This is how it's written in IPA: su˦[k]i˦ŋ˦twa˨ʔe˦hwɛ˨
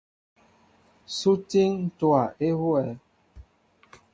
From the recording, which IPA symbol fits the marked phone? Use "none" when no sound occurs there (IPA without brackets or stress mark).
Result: t